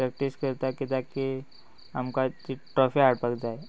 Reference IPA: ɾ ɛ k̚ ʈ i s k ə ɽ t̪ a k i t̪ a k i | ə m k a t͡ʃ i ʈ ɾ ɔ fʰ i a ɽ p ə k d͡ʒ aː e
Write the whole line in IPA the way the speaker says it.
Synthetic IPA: ɾ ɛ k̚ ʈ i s k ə ɾ t̪ a k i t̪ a k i | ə m k a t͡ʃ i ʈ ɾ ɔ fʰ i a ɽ p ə k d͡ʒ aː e